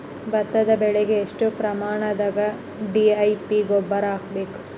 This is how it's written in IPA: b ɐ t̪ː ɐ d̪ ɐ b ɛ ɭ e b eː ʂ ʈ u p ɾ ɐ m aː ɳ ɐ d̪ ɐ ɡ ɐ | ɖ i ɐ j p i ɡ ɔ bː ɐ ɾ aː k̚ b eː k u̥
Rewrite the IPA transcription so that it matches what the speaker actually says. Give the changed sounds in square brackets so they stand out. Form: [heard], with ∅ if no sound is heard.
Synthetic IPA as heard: b ɐ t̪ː ɐ d̪ ɐ b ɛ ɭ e [ɡ] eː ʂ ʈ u p ɾ ɐ m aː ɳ ɐ d̪ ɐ ɡ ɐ | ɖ i ɐ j p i ɡ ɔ bː ɐ ɾ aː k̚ b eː k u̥